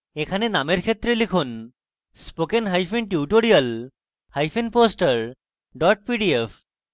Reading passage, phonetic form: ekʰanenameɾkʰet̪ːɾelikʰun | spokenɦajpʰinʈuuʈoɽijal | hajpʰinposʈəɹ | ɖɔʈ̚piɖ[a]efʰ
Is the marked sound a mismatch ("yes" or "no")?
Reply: yes